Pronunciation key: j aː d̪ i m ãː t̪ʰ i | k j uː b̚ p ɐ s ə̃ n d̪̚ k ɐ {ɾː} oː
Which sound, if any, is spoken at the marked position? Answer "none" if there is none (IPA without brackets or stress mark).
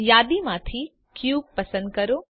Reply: ɾ